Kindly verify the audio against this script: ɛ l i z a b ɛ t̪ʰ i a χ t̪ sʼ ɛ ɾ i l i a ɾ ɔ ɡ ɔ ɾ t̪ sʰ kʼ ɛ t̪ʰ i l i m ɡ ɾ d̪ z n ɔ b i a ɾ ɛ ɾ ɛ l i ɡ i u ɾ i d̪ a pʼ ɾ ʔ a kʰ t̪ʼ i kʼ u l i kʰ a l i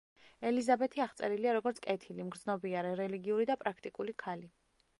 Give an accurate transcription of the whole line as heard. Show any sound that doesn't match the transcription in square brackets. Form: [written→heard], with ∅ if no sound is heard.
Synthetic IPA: ɛ l i z a b ɛ t̪ʰ i a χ t̪ sʼ ɛ ɾ i l i a ɾ ɔ ɡ ɔ ɾ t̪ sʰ kʼ ɛ t̪ʰ i l i m ɡ ɾ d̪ z n ɔ b i a ɾ ɛ ɾ ɛ l i ɡ i u ɾ i d̪ a pʼ ɾ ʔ a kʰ t̪ʼ i kʼ u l i kʰ a l i